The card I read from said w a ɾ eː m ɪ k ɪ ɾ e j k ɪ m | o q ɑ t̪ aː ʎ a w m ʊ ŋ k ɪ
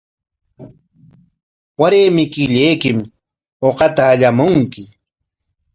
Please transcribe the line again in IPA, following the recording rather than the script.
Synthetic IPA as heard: w a ɾ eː m ɪ k ɪ ʎ e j k ɪ m | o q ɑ t̪ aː ʎ a m ʊ ŋ k ɪ